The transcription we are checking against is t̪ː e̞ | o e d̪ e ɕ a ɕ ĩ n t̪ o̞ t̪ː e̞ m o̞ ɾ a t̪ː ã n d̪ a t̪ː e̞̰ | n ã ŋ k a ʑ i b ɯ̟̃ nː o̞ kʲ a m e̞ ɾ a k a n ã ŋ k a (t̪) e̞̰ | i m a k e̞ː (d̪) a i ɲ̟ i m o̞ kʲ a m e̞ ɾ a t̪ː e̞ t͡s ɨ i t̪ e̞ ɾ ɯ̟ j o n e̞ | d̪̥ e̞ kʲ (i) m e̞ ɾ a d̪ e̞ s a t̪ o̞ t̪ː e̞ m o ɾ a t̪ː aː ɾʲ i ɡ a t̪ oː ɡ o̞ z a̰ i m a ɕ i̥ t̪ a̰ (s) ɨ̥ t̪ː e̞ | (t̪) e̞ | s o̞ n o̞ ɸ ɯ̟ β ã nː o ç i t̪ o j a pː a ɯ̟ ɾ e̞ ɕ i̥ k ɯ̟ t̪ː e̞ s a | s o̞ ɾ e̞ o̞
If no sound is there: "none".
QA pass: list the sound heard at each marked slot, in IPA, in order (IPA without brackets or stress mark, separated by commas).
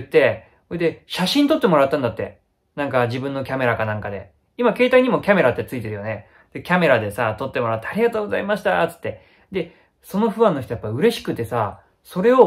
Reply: d̪, t̪, a, t͡s, d̪